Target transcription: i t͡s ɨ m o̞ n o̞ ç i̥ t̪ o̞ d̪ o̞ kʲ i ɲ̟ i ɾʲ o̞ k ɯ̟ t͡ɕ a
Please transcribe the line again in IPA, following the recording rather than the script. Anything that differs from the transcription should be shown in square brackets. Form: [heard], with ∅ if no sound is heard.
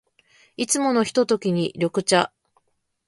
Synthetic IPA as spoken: i t͡s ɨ m o̞ n o̞ ç i̥ t̪ o̞ [t̪] o̞ kʲ i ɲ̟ i ɾʲ o̞ k ɯ̟ t͡ɕ a